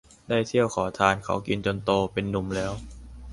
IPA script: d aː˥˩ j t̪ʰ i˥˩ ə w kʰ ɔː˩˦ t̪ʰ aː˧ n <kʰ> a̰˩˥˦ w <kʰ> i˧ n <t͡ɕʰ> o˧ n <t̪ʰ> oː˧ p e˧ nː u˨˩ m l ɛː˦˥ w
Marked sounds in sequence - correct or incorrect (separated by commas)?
correct, incorrect, incorrect, incorrect